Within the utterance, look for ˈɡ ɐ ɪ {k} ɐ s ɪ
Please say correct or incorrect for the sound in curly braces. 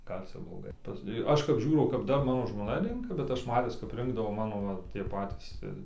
incorrect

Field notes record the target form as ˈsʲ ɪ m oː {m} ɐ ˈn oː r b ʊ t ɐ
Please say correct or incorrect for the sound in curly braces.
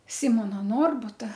incorrect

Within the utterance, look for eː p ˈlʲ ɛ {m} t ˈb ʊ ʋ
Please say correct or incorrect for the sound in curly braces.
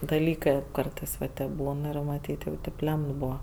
correct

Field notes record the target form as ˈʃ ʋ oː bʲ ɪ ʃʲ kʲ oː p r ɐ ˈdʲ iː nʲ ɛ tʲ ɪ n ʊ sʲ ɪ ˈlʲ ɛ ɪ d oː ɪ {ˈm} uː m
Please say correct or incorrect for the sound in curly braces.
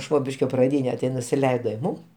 correct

